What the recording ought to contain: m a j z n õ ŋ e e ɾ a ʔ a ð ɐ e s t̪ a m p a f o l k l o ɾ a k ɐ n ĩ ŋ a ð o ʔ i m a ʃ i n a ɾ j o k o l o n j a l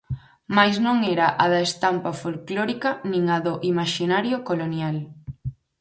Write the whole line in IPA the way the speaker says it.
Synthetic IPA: m a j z n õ ŋ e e ɾ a ʔ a ð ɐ e s t̪ a m p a f o l k l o ɾ i k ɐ n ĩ ŋ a ð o ʔ i m a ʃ i n a ɾ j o k o l o n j a l

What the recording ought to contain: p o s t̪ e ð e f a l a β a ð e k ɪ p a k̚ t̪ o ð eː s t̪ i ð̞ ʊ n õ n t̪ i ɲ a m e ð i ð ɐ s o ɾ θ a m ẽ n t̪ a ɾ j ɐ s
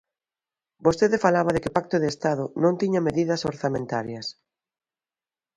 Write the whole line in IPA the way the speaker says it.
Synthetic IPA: b o s t̪ e ð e f a l a β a ð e k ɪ p a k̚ t̪ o ð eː s t̪ a ð̞ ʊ n õ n t̪ i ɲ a m e ð i ð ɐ s o ɾ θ a m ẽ n t̪ a ɾ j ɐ s

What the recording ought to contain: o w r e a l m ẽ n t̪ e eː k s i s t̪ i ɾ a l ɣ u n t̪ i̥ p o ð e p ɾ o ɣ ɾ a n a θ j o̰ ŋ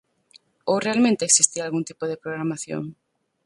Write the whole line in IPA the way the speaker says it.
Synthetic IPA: o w r e a l m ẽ n t̪ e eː k s i s t̪ i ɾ a l ɣ u n t̪ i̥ p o ð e p ɾ o ɣ ɾ a m a θ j o̰ ŋ

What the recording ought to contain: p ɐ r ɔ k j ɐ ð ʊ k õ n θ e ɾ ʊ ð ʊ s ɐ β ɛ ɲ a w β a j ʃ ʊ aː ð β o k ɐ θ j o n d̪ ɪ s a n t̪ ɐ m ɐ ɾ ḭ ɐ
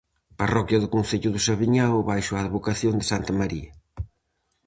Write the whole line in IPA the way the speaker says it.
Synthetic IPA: p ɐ r ɔ k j ɐ ð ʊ k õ n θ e ʎ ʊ ð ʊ s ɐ β i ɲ a w β a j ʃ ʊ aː ð β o k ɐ θ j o n d̪ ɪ s a n t̪ ɐ m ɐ ɾ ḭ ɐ

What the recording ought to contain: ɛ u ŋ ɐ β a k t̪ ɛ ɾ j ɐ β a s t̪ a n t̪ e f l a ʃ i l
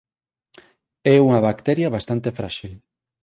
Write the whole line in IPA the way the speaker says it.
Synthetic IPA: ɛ u ŋ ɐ β a k t̪ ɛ ɾ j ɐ β a s t̪ a n t̪ e f ɾ a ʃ i l

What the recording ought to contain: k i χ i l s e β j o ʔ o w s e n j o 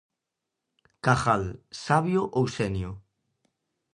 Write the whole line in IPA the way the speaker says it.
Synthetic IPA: k a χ a l s a β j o ʔ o w s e n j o

